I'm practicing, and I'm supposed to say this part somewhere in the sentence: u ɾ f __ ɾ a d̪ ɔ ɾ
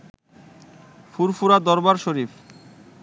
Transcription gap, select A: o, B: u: B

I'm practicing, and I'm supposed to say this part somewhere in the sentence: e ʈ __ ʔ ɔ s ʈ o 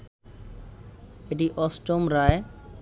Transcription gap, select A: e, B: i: B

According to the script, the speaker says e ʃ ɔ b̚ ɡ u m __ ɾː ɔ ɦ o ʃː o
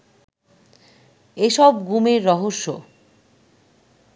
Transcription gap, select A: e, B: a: A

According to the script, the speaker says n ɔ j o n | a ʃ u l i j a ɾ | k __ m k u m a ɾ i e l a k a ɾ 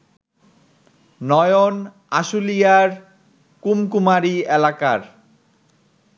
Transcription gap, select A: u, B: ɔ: A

